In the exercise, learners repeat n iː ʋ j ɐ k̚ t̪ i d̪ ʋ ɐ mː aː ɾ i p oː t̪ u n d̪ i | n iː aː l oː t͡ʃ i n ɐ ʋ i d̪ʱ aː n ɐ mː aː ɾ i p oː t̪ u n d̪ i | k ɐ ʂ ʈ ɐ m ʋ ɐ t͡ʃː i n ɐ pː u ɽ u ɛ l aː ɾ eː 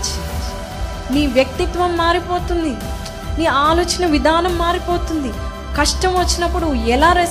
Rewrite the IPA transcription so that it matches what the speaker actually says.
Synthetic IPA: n iː ʋ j ɐ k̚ t̪ i t̪ ʋ ɐ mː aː ɾ i p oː t̪ u n d̪ i | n iː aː l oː t͡ʃ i n ɐ ʋ i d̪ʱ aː n ɐ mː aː ɾ i p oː t̪ u n d̪ i | k ɐ ʂ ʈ ɐ m ʋ ɐ t͡ʃː i n ɐ pː u ɽ u ɛ l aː ɾ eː